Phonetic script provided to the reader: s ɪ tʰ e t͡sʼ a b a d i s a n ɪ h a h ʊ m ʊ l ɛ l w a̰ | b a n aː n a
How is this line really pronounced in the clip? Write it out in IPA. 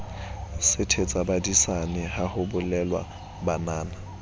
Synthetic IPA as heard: s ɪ tʰ e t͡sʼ a b a d i s a n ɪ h a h ʊ b ʊ l ɛ l w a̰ | b a n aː n a